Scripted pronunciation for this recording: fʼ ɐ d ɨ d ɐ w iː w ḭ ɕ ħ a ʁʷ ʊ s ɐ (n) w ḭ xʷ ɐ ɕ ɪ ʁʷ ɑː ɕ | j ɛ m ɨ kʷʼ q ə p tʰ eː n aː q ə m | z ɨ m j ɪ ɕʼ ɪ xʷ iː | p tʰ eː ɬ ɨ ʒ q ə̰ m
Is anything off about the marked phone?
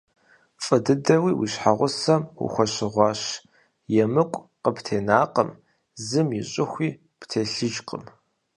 yes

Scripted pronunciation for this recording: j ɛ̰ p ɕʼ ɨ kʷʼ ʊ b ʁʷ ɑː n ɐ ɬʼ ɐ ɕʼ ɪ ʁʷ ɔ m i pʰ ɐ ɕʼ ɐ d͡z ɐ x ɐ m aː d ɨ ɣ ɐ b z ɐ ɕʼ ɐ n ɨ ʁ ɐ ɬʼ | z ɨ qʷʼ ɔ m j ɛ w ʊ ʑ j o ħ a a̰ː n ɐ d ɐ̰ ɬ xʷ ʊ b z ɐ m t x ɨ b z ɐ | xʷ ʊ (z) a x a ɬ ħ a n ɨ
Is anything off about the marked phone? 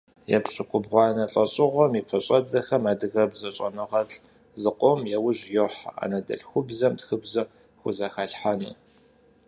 no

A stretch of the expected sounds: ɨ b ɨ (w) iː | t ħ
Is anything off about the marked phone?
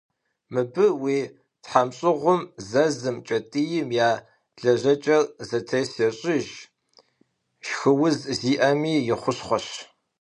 no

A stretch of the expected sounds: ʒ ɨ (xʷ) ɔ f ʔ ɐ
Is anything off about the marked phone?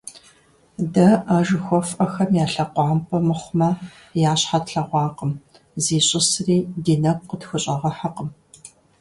no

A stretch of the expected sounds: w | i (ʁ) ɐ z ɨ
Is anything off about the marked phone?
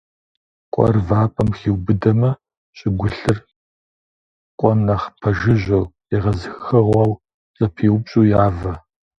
no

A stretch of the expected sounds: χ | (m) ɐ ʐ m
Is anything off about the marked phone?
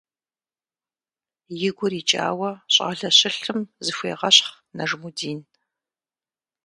yes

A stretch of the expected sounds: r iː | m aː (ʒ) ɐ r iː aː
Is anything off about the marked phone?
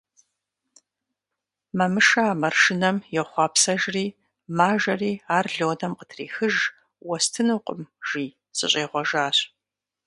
no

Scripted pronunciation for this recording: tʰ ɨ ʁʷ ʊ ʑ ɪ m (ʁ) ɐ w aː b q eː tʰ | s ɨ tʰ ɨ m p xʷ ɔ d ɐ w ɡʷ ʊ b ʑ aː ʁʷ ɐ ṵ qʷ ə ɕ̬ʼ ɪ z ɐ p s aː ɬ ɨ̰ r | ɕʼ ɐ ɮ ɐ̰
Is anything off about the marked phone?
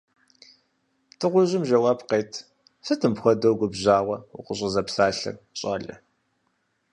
yes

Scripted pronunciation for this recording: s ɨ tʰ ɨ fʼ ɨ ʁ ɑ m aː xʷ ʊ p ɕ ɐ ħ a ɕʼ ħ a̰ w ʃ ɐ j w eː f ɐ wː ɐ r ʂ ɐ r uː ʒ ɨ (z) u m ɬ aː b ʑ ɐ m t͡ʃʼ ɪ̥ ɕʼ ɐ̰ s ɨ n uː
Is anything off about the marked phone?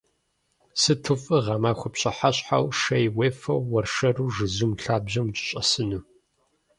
no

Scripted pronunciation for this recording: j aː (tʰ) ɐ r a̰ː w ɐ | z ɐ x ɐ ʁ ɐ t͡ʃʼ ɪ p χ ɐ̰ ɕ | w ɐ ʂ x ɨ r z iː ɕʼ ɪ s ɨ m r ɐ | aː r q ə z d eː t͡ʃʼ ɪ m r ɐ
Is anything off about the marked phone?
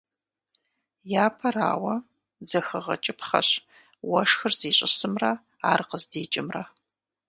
yes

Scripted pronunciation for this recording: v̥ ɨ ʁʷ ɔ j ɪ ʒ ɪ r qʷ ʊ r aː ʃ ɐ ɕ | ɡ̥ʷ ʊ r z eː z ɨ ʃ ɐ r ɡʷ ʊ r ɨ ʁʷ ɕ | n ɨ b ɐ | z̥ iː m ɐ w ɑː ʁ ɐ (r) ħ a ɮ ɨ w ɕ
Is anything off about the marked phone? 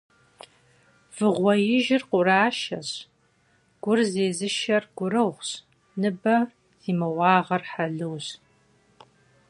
no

